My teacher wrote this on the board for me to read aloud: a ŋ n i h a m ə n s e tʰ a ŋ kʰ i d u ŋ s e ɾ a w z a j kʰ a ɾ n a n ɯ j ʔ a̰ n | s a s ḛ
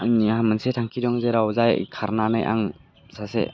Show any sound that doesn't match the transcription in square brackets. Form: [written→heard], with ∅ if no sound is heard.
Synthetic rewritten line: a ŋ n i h a m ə n s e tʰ a ŋ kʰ i d [u→ɔ] ŋ [s→z] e ɾ a w z a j kʰ a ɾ n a n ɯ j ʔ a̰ [n→ŋ] | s a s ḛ